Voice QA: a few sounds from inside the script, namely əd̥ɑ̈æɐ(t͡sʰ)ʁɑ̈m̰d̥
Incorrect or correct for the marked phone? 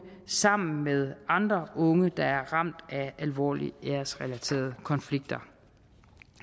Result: incorrect: none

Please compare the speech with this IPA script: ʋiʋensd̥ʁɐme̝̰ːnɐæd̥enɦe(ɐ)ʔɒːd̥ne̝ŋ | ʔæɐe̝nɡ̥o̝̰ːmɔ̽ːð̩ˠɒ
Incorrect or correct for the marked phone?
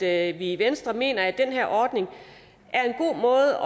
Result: correct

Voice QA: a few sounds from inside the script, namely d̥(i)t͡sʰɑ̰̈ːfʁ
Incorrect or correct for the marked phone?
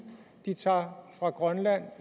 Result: correct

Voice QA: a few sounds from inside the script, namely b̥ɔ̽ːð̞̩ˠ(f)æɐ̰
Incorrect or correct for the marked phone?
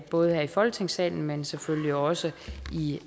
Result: incorrect: h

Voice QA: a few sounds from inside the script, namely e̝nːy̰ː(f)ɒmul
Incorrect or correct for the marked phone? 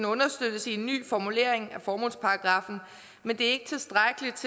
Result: correct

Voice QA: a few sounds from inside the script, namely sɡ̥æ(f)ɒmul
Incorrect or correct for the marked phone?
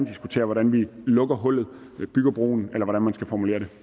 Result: correct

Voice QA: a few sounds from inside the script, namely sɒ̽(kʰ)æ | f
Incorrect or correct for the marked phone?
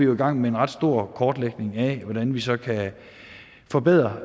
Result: correct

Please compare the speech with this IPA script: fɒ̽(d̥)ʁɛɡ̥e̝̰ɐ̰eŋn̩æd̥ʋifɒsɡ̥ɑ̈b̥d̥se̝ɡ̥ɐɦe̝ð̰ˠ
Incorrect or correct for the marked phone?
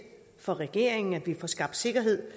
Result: incorrect: none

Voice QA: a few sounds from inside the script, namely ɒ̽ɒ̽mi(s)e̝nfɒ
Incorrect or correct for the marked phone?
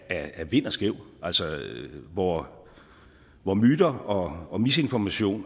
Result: correct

